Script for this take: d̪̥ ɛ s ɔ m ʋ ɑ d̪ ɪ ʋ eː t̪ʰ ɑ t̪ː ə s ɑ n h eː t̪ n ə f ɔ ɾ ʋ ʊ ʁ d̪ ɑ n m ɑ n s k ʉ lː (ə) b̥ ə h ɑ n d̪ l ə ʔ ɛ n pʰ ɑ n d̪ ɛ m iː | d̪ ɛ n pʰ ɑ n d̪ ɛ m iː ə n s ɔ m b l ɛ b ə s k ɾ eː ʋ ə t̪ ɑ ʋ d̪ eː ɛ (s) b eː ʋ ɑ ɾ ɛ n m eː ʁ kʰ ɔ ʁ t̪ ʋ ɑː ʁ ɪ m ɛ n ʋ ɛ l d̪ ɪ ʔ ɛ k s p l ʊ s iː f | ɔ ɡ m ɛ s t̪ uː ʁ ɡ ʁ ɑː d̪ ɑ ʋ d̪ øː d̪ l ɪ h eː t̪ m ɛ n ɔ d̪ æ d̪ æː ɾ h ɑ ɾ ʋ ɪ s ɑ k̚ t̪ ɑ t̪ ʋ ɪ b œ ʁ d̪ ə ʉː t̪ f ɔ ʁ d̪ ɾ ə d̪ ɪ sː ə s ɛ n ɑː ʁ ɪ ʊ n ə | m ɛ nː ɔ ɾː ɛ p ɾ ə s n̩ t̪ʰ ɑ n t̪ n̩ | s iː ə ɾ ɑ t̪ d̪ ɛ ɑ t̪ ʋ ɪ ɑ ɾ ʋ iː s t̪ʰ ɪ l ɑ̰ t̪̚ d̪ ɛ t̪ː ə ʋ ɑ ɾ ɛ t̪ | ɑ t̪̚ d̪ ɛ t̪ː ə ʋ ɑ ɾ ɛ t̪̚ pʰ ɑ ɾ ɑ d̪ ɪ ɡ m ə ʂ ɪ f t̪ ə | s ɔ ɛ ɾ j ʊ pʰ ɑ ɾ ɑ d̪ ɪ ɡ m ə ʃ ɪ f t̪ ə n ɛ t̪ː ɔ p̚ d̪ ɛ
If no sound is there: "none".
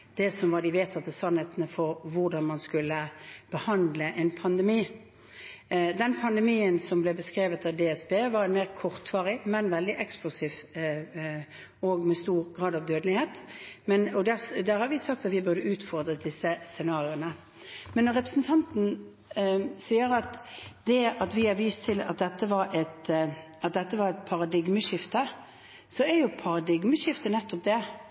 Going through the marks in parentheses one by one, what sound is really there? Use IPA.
ə, s

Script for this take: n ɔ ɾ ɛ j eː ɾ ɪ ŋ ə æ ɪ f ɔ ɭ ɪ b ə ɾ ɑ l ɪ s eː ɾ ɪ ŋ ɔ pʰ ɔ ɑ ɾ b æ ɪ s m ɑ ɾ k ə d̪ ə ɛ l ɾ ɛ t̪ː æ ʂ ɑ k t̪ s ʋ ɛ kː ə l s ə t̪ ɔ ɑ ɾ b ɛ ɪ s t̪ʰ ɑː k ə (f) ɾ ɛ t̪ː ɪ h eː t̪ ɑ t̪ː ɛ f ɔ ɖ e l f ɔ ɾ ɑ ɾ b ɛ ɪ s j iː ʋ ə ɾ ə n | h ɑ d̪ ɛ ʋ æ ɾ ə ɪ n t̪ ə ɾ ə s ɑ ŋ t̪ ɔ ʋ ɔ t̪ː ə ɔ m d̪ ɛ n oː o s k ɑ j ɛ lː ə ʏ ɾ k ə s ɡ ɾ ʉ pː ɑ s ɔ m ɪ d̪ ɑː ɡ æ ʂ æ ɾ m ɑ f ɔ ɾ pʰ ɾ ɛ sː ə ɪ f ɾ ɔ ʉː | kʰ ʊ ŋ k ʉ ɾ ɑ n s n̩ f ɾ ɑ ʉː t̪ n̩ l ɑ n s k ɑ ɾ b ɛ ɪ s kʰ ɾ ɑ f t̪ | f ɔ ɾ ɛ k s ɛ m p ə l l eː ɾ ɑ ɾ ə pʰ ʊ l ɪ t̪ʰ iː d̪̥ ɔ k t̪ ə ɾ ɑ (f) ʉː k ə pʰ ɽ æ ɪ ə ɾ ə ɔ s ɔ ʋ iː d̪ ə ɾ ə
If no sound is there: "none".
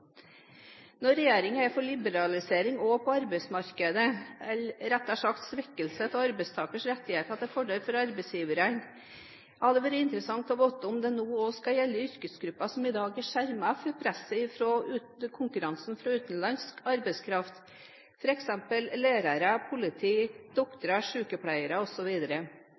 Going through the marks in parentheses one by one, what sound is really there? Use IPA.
ʂ, ʂ

